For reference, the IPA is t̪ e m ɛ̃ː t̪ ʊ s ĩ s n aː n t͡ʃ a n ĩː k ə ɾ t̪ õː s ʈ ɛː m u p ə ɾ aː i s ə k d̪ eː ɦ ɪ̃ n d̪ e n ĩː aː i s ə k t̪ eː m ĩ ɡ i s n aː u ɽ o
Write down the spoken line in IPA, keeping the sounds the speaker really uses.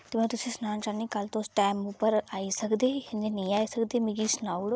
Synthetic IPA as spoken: t̪ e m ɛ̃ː t̪ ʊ s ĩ s n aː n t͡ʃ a n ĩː k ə l t̪ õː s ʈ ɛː m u p ə ɾ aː i s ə k d̪ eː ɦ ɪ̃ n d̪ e n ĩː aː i s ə k d̪ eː m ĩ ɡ i s n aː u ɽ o